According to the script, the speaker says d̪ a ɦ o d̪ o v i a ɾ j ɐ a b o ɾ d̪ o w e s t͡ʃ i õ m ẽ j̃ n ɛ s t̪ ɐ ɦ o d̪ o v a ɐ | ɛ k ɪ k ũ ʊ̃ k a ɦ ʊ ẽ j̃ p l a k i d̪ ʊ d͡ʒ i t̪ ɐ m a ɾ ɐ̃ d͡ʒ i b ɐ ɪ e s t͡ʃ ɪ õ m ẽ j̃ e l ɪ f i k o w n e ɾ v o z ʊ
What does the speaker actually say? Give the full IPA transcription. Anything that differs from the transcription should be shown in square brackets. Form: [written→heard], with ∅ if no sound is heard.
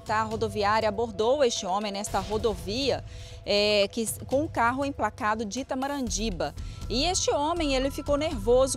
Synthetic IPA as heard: [d̪→t̪] a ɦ o d̪ o v i a ɾ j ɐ a b o ɾ d̪ o w e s t͡ʃ [i→ɪ] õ m ẽ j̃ n ɛ s t̪ ɐ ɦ o d̪ o v [a→i] ɐ | ɛ k ɪ k [ũ→õ] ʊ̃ k a ɦ ʊ ẽ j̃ p l a k [i→a] d̪ ʊ d͡ʒ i t̪ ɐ m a ɾ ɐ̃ d͡ʒ i b ɐ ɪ e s t͡ʃ ɪ õ m ẽ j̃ e l ɪ f i k o w n e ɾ v o z ʊ

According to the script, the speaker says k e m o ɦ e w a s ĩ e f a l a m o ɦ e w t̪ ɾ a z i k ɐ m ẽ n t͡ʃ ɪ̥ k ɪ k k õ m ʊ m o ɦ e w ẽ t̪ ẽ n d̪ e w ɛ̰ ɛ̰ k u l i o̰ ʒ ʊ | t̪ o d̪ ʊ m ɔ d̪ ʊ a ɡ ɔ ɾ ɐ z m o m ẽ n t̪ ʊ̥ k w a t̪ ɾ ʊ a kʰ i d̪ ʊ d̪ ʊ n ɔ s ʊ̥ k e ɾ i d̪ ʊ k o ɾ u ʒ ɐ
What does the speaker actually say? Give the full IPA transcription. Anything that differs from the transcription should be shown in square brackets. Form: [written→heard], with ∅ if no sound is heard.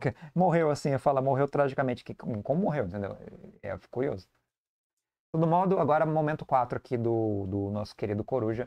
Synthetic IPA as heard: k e m o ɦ e w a s ĩ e f a l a m o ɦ e w t̪ ɾ a [z→ʒ] i k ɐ m ẽ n t͡ʃ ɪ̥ k ɪ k k õ m ʊ m o ɦ e w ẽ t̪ ẽ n d̪ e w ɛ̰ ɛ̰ k u [l→ɾ] i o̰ [ʒ→z] ʊ | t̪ o d̪ ʊ m ɔ d̪ ʊ a ɡ ɔ ɾ ɐ [z→∅] m o m ẽ n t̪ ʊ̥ k w a t̪ ɾ ʊ a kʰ i d̪ ʊ d̪ ʊ n ɔ s ʊ̥ k e ɾ i d̪ ʊ k o ɾ u ʒ ɐ

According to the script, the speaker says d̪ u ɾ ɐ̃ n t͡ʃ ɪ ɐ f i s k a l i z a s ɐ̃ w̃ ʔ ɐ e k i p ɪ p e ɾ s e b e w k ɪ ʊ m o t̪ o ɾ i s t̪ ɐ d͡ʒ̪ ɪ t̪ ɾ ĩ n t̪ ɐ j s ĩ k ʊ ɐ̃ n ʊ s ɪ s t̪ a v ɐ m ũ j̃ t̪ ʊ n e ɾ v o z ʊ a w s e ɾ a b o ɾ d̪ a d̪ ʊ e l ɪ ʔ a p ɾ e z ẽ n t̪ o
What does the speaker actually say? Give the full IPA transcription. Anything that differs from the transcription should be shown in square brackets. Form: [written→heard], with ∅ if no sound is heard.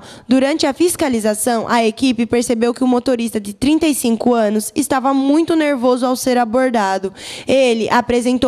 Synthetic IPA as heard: d̪ u ɾ ɐ̃ n t͡ʃ ɪ ɐ f i s k a l i z a s ɐ̃ w̃ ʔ ɐ e k i p ɪ p e ɾ s e b e w k ɪ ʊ m o t̪ o ɾ i s t̪ ɐ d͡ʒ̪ ɪ t̪ ɾ ĩ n t̪ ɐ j s ĩ k ʊ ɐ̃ n ʊ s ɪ s t̪ a v ɐ m ũ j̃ t̪ ʊ n e ɾ v o z ʊ a w s e ɾ a b o ɾ d̪ a d̪ ʊ e l ɪ ʔ a p ɾ e z ẽ n t̪ o

